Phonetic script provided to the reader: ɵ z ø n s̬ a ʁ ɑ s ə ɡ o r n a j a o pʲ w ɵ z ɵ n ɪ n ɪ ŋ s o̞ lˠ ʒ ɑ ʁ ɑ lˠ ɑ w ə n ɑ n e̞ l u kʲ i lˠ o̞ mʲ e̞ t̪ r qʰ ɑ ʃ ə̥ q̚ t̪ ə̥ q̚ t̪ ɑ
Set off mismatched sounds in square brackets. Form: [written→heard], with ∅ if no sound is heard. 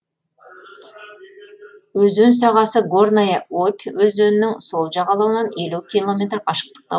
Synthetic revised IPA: ɵ z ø n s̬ [a→ɑ] ʁ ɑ s ə ɡ o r n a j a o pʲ w ɵ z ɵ n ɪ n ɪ ŋ s o̞ lˠ ʒ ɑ ʁ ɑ lˠ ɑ w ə n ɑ n e̞ l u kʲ i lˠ o̞ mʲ e̞ t̪ r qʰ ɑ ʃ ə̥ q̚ t̪ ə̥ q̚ t̪ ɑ